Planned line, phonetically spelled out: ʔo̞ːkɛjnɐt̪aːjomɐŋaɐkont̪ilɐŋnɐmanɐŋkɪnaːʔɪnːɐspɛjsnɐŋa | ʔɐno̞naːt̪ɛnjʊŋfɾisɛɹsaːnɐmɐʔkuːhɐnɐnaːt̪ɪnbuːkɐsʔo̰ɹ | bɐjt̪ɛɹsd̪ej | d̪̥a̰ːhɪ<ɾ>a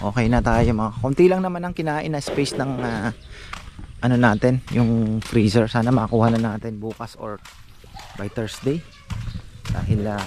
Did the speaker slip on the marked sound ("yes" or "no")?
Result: yes